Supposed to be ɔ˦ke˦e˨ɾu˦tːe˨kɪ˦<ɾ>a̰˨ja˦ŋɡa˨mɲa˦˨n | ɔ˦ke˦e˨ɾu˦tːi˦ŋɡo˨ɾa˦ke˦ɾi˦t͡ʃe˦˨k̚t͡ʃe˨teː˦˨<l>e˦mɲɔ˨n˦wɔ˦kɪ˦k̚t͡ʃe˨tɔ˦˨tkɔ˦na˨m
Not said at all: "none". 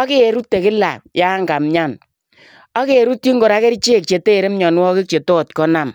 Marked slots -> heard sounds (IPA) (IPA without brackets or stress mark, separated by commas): l, ɾ